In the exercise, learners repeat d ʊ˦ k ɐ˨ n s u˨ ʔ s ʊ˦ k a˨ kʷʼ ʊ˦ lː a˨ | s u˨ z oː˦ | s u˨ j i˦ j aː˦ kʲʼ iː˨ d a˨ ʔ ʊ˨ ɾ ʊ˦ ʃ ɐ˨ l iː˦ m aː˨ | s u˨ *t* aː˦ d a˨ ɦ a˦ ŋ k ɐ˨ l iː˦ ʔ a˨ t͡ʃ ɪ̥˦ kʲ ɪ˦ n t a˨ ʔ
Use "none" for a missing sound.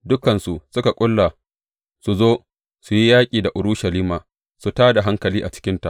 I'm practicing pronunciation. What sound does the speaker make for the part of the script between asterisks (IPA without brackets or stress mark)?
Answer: t